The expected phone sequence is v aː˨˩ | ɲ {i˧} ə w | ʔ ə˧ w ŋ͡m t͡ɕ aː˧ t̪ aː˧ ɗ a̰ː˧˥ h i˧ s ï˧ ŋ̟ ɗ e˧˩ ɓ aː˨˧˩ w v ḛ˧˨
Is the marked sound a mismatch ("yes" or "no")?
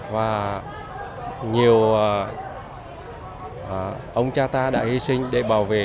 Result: yes